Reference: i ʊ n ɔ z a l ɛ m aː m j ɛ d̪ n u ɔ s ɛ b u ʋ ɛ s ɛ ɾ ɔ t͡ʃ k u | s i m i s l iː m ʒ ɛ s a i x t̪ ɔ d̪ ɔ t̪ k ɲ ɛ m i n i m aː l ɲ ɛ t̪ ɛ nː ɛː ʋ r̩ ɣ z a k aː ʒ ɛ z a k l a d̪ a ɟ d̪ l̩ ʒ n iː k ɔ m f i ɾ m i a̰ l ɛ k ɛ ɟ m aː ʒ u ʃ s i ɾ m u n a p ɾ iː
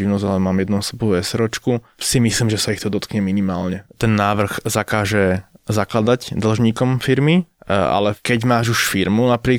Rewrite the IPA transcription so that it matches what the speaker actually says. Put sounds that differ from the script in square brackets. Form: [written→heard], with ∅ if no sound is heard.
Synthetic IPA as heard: i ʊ n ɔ z a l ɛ m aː m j ɛ d̪ n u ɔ s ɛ b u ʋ ɛ s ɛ ɾ ɔ t͡ʃ k u | s i m i s l iː m ʒ ɛ s a i x t̪ ɔ d̪ ɔ t̪ k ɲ ɛ m i n i m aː l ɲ ɛ t̪ ɛ nː [ɛː→aː] ʋ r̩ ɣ z a k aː ʒ ɛ z a k l a d̪ a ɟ d̪ l̩ ʒ [n→ɲ] iː k ɔ m f i ɾ m i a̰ l ɛ k ɛ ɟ m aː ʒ u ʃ [s→f] i ɾ m u n a p ɾ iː